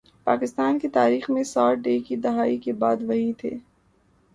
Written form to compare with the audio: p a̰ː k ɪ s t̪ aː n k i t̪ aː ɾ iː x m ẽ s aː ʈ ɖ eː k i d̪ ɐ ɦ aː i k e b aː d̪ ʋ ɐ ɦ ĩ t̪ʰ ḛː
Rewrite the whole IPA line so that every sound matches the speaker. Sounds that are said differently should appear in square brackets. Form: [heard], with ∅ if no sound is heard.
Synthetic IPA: p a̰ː k ɪ s t̪ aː n k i t̪ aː ɾ iː x m ẽ s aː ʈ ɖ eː k i d̪ ɐ ɦ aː i k e b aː d̪ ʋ ɐ ɦ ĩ t̪ʰ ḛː